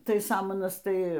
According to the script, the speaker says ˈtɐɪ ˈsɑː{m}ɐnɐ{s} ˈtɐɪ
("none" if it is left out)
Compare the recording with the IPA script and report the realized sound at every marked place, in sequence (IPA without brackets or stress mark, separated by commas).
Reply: m, s